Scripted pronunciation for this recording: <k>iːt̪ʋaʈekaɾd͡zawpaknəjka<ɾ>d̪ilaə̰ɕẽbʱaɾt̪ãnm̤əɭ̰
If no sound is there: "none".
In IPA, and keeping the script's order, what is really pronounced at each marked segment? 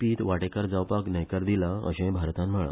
p, ɾ

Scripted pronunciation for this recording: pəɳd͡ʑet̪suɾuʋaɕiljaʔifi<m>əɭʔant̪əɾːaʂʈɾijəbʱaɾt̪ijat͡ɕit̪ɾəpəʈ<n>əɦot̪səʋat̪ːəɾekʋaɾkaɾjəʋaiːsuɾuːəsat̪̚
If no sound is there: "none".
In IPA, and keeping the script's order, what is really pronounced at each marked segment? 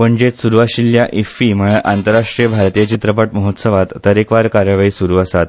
m, m

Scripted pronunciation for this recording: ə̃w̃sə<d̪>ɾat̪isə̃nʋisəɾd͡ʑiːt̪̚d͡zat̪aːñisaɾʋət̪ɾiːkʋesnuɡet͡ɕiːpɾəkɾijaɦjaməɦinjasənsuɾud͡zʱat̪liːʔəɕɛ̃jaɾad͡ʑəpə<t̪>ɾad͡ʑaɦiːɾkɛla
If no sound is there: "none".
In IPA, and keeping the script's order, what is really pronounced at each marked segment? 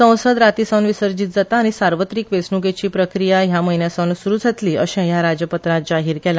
d̪, t̪

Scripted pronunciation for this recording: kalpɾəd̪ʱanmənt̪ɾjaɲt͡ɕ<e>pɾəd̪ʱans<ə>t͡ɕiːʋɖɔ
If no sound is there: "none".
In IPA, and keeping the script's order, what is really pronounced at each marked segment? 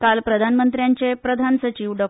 e, ə

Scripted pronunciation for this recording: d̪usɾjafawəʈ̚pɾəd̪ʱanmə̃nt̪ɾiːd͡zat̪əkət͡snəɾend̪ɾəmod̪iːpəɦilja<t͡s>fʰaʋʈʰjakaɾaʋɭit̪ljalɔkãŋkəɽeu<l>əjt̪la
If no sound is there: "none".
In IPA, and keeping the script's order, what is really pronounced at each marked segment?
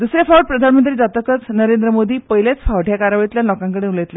t͡s, l

